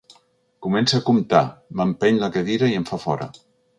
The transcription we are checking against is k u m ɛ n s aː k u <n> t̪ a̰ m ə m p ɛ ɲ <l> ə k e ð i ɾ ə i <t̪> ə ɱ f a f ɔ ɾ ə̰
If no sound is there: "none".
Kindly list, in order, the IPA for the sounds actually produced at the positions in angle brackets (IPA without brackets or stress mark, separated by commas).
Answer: m, l, none